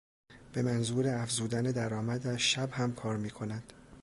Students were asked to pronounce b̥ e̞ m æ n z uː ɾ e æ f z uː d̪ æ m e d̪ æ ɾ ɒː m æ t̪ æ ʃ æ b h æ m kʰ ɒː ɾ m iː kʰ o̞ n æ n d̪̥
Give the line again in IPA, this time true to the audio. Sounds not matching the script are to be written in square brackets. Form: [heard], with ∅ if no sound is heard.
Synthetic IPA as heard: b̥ e̞ m æ n z uː ɾ e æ f z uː d̪ æ [n] e d̪ æ ɾ ɒː m æ [d̪] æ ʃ æ b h æ m kʰ ɒː ɾ m iː kʰ o̞ n æ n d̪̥

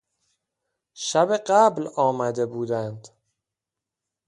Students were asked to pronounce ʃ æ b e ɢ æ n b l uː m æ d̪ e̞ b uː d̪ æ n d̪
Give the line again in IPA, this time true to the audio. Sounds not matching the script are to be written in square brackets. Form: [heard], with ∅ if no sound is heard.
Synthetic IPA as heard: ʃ æ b e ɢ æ [∅] b l [ɒː] m æ d̪ e̞ b uː d̪ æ n d̪

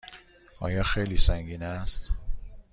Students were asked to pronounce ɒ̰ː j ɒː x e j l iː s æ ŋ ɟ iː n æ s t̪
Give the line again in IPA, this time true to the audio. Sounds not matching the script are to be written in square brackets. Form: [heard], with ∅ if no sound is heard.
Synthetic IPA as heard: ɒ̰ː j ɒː x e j l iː s æ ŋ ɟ iː n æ s t̪

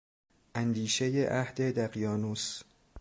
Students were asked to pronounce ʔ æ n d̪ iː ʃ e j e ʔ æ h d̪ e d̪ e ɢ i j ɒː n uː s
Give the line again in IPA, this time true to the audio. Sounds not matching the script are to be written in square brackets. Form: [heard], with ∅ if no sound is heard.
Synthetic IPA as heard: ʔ æ n d̪ iː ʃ e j e ʔ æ h d̪ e d̪ [æ] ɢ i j ɒː n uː s

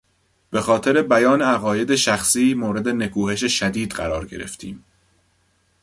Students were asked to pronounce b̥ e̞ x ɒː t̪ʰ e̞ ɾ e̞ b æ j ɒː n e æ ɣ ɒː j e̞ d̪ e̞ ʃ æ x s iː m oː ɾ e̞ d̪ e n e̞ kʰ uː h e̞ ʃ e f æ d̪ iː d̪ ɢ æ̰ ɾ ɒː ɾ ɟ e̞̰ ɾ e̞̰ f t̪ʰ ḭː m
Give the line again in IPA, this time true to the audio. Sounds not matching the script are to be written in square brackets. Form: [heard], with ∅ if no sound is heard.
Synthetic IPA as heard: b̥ e̞ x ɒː t̪ʰ e̞ ɾ e̞ b æ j ɒː n e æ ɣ ɒː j e̞ d̪ e̞ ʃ æ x s iː m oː ɾ e̞ d̪ e n e̞ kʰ uː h e̞ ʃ e [ʃ] æ d̪ iː d̪ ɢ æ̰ ɾ ɒː ɾ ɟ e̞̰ ɾ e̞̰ f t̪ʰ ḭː m

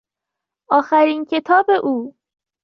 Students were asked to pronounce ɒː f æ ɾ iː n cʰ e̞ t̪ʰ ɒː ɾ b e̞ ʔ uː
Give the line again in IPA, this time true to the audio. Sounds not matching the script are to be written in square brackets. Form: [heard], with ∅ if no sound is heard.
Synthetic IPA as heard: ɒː [x] æ ɾ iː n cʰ e̞ t̪ʰ ɒː [∅] b e̞ ʔ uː

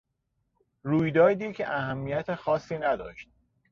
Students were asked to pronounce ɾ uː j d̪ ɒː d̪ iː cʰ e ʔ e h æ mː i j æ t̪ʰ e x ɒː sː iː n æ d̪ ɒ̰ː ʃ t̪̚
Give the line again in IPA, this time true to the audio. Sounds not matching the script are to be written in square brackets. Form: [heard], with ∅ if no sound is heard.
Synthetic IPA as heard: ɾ uː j d̪ ɒː d̪ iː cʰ e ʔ [æ] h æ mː i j æ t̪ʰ e x ɒː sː iː n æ d̪ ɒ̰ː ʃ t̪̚

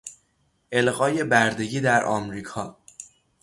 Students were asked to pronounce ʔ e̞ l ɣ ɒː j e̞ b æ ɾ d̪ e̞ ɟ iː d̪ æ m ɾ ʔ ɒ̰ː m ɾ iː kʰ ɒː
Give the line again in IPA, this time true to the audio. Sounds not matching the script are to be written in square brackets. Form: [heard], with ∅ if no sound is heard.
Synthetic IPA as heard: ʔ e̞ l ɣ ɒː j e̞ b æ ɾ d̪ e̞ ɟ iː d̪ æ [∅] ɾ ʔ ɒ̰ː m ɾ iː kʰ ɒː

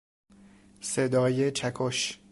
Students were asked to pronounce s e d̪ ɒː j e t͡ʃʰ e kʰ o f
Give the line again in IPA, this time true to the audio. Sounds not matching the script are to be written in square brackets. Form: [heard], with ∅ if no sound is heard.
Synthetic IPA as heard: s e d̪ ɒː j e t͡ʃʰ [æ] kʰ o [ʃ]

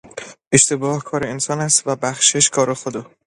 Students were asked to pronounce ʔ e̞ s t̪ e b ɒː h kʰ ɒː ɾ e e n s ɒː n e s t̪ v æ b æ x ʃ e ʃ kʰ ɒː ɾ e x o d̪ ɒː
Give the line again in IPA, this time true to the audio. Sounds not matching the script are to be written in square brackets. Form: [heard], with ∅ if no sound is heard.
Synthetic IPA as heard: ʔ e̞ [ʃ] t̪ e b ɒː h kʰ ɒː ɾ e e n s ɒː n [æ] s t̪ v æ b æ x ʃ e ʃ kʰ ɒː ɾ e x o d̪ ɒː

